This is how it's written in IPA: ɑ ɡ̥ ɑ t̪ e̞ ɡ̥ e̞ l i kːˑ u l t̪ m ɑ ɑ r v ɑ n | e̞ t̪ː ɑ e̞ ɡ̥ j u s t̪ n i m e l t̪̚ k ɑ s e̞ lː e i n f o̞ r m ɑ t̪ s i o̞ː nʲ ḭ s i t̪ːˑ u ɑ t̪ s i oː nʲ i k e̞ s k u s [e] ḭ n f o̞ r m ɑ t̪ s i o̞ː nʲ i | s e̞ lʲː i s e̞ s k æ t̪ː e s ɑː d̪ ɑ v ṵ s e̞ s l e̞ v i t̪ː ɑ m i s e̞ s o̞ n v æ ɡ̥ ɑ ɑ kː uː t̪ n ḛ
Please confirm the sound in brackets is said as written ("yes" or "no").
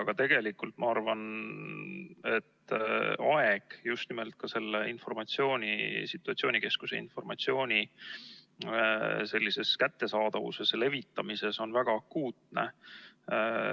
yes